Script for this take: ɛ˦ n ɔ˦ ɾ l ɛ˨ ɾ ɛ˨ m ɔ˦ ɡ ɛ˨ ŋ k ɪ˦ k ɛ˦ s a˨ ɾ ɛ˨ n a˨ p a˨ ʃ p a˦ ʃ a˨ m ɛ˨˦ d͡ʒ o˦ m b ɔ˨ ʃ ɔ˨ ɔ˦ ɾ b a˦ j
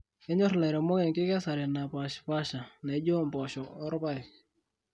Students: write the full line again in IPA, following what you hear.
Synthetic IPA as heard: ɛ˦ ɲ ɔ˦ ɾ l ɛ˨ ɾ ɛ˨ m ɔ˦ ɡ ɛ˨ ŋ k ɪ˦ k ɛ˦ s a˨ ɾ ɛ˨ n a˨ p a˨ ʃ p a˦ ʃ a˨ n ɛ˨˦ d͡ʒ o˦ m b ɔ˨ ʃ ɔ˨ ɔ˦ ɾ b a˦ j